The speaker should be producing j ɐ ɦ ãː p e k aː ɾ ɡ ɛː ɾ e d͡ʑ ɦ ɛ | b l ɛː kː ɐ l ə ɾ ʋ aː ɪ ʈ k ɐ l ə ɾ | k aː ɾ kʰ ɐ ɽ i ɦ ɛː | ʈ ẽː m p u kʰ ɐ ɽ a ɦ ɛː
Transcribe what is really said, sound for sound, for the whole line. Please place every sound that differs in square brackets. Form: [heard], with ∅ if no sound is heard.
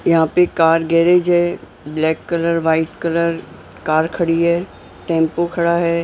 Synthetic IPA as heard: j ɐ ɦ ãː p e k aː ɾ ɡ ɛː ɾ e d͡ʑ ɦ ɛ | b l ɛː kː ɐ l ə ɾ ʋ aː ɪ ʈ k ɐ l ə ɾ | k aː ɾ kʰ ɐ ɽ i ɦ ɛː | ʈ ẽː m p [o] kʰ ɐ ɽ a ɦ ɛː